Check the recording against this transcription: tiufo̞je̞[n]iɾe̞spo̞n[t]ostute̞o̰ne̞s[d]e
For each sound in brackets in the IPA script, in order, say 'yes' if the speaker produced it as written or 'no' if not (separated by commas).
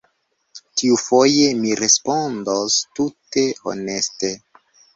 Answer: no, no, no